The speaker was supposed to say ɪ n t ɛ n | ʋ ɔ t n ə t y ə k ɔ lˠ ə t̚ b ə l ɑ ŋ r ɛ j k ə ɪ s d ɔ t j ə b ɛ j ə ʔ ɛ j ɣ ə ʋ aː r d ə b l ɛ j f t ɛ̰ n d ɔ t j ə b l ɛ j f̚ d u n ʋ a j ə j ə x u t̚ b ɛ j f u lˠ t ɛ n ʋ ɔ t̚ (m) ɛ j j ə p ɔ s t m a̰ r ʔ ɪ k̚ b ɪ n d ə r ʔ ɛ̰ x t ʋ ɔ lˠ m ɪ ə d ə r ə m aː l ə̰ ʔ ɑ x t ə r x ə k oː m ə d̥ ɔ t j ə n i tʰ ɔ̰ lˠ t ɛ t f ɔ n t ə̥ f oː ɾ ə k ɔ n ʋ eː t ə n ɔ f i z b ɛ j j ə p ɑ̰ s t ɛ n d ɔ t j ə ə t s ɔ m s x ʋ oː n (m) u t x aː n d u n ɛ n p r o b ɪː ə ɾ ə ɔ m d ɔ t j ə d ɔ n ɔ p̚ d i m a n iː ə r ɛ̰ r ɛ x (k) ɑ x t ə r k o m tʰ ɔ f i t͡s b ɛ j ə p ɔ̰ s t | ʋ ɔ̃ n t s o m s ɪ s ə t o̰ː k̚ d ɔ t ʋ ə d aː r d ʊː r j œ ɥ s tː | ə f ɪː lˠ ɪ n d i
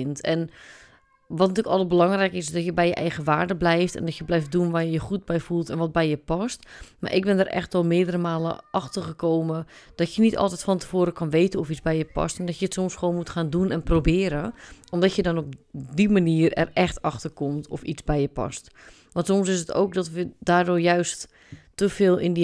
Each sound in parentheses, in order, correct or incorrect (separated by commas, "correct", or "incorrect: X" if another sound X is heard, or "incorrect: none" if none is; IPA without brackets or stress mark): incorrect: b, correct, incorrect: t